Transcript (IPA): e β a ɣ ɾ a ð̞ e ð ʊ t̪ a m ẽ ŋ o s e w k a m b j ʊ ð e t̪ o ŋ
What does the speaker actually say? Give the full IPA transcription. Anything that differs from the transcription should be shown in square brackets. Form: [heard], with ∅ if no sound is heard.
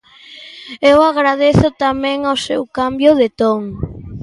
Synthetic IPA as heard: e [w] a ɣ ɾ a ð̞ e [θ] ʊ t̪ a m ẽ ŋ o s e w k a m b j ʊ ð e t̪ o ŋ

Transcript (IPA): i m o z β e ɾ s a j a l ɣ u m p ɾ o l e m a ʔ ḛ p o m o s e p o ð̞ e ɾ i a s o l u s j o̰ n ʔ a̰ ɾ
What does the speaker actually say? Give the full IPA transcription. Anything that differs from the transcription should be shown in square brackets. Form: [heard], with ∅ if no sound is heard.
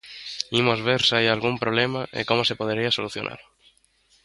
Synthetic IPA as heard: i m o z β e ɾ s a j a l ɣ u m p ɾ o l e m a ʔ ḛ [k] o m o s e p o ð̞ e ɾ i a s o l u [θ] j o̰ n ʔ a̰ ɾ

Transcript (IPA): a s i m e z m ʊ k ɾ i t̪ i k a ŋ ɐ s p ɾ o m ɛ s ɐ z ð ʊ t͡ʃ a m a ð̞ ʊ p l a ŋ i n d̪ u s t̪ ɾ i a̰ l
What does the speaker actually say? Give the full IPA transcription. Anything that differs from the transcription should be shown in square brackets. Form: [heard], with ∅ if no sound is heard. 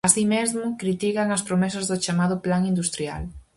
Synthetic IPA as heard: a s i m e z m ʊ k ɾ i t̪ i k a ŋ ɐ s p ɾ o m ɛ s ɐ z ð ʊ t͡ʃ a m a ð̞ ʊ p l a ŋ i n d̪ u s t̪ ɾ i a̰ l

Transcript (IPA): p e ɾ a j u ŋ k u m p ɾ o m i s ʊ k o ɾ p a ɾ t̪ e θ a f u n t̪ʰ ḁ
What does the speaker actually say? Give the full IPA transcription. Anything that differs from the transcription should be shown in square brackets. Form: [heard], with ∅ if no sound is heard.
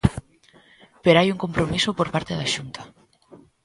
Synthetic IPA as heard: p e ɾ a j u ŋ k [o] m p ɾ o m i s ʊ [p] o ɾ p a ɾ t̪ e [ð] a [ʃ] u n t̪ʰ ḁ

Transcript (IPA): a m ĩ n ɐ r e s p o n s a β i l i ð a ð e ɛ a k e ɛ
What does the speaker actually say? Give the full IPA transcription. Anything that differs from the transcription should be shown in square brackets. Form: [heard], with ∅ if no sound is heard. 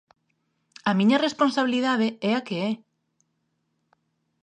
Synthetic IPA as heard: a m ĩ [ɲ] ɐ r e s p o n s a β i l i ð a ð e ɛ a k e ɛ

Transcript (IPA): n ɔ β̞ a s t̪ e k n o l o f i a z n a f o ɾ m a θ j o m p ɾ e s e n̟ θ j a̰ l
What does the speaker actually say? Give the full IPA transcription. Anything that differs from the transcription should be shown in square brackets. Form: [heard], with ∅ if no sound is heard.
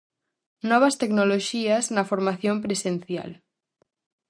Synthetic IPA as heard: n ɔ β̞ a s t̪ e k n o l o [ʃ] i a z n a f o ɾ m a θ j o m p ɾ e s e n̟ θ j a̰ l

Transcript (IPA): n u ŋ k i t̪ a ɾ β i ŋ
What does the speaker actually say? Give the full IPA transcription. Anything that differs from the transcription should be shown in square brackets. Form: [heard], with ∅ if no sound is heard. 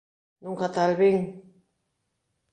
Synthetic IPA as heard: n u ŋ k [a] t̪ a [l] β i ŋ

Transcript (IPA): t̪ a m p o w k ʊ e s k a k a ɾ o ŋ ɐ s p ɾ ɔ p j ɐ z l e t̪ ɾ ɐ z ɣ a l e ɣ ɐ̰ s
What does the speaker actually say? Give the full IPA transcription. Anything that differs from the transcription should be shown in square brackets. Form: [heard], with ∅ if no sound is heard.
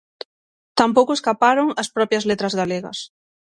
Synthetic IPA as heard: t̪ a m p o w k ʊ e s k a [p] a ɾ o ŋ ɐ s p ɾ ɔ p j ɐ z l e t̪ ɾ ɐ z ɣ a l e ɣ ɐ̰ s

